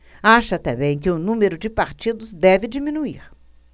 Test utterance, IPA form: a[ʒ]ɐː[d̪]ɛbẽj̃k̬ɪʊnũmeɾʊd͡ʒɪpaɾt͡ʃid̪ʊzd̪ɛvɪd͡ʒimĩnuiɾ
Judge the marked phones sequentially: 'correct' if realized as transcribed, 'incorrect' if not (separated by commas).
incorrect, incorrect